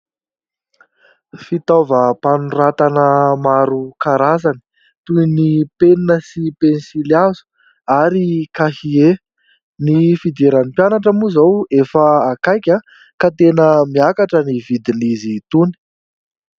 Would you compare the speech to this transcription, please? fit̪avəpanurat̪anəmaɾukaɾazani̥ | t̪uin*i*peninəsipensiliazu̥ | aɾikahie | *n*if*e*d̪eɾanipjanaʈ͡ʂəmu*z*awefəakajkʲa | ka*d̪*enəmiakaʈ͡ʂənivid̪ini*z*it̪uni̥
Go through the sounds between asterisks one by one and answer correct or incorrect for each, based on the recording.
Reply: correct, correct, incorrect: i, correct, incorrect: t̪, correct

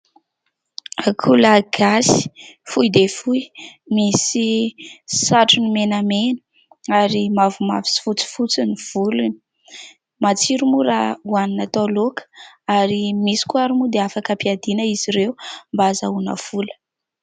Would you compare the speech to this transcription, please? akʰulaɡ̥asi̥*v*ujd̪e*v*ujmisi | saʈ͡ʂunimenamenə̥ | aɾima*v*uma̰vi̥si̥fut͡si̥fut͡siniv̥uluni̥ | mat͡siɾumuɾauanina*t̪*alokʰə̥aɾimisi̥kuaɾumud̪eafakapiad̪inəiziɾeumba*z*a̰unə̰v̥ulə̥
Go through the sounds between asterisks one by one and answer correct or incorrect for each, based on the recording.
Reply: incorrect: f, incorrect: f, correct, correct, correct

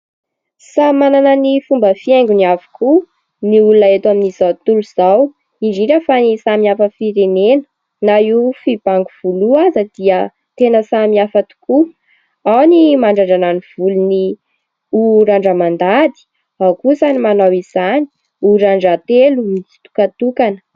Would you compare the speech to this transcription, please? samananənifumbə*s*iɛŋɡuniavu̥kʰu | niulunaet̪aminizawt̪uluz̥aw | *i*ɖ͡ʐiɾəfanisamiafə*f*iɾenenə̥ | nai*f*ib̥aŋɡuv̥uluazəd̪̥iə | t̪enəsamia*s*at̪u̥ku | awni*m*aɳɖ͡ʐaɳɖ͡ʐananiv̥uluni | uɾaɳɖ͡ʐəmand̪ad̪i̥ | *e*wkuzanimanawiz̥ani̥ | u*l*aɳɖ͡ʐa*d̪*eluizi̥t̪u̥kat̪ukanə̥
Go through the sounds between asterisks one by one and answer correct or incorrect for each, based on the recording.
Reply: incorrect: f, correct, correct, correct, incorrect: f, correct, incorrect: a, incorrect: ɾ, incorrect: t̪

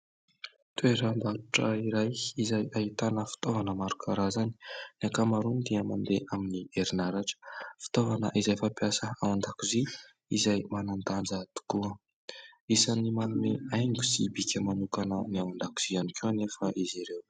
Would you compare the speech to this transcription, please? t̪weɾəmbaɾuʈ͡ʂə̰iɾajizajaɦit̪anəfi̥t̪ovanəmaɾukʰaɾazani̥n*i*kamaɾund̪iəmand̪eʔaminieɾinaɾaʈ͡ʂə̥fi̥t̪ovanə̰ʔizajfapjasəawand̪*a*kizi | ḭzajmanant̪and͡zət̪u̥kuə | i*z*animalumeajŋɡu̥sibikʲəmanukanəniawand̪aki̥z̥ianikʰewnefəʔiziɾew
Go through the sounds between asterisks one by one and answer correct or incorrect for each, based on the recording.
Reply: incorrect: a, correct, incorrect: s

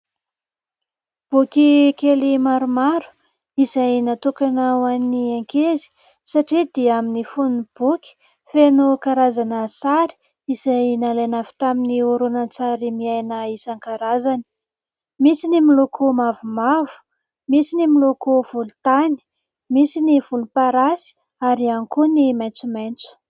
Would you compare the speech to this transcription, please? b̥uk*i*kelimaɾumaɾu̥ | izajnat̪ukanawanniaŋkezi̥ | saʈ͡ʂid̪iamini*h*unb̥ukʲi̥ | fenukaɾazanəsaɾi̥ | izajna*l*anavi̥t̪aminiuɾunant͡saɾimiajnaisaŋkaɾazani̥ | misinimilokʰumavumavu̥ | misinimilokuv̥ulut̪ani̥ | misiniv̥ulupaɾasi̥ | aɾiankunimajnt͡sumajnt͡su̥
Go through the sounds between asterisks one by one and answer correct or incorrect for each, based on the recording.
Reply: correct, incorrect: f, correct

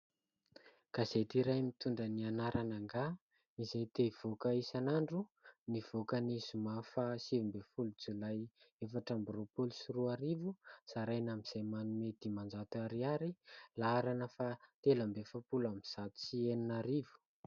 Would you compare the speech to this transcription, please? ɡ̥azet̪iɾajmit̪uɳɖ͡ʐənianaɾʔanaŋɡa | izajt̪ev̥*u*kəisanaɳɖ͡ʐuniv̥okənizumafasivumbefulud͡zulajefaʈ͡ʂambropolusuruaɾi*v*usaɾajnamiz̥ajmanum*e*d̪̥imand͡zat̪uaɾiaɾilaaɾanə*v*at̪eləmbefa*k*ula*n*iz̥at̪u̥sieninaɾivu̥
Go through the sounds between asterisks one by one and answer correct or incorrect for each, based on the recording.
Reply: incorrect: o, correct, correct, incorrect: f, incorrect: p, incorrect: m

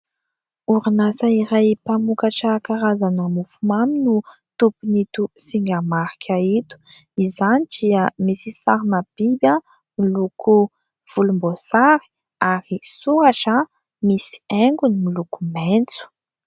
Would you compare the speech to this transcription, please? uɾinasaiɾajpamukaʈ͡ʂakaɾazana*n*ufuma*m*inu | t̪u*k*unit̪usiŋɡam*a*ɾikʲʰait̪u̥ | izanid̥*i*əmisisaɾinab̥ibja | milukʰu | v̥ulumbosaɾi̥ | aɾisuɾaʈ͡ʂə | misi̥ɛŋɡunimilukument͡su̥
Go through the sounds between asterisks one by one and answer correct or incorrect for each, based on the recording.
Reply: incorrect: m, correct, incorrect: p, correct, correct

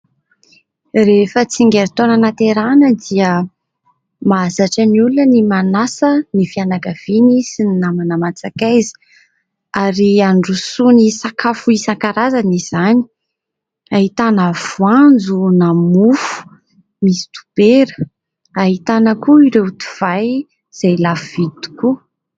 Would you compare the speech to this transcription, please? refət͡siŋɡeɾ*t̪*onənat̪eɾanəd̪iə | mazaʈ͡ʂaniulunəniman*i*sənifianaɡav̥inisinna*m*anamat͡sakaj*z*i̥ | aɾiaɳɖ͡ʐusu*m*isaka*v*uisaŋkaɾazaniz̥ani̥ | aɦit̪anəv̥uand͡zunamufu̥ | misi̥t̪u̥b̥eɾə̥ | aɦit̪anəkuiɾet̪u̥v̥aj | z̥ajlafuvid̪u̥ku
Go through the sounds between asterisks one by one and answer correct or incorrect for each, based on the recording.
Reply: correct, incorrect: a, correct, correct, incorrect: n, incorrect: f

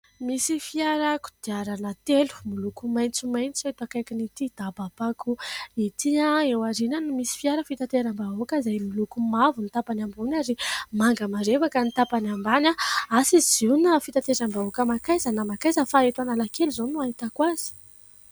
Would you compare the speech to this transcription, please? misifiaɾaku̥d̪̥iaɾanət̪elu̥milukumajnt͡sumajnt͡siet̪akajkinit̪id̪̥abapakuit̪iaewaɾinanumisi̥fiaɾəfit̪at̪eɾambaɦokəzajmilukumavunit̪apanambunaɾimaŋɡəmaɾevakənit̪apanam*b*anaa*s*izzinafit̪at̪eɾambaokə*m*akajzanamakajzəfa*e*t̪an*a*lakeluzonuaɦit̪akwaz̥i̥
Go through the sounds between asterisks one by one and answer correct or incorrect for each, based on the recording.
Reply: correct, correct, correct, correct, correct

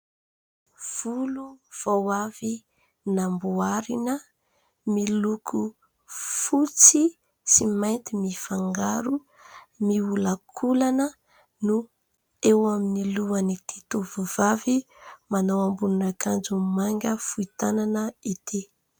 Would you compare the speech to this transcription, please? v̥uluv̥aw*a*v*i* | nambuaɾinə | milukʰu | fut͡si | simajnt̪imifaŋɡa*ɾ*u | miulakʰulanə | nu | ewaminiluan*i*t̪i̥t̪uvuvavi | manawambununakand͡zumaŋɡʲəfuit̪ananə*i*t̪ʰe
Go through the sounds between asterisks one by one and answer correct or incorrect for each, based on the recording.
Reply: correct, correct, correct, correct, correct

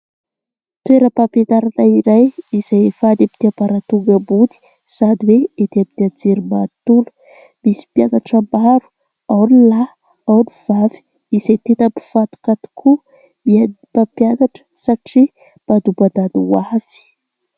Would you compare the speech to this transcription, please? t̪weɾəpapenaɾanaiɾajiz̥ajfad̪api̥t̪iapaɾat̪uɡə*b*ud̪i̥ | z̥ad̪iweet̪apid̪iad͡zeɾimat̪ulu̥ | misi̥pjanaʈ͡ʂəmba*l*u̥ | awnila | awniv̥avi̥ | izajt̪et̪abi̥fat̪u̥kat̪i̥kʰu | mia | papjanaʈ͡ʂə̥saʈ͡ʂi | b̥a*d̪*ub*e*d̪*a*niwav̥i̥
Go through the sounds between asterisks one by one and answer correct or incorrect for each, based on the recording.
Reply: correct, incorrect: ɾ, correct, incorrect: a, correct

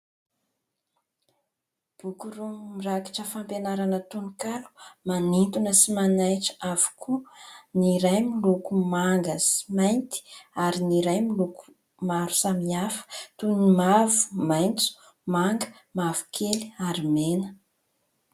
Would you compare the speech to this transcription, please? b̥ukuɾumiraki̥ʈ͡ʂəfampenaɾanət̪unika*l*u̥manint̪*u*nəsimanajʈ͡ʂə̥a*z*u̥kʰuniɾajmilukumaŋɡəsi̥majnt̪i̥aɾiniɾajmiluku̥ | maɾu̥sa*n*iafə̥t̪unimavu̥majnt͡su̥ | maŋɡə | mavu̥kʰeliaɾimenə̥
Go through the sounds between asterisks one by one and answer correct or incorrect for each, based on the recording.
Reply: correct, correct, incorrect: v, incorrect: m

